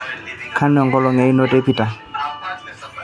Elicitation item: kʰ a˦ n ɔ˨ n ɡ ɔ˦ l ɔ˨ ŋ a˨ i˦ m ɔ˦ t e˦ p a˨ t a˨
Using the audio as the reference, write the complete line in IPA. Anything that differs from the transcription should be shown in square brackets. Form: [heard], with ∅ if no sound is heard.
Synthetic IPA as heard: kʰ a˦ n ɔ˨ [ŋ] ɡ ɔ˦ l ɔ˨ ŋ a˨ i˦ [n] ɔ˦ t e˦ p [i˨] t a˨